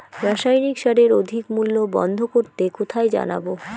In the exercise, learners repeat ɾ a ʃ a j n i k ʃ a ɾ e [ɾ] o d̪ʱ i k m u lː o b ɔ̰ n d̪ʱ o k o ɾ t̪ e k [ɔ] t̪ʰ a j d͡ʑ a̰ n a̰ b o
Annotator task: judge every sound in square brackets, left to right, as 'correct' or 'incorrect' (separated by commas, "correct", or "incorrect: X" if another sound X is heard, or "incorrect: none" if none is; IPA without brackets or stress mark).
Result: correct, incorrect: o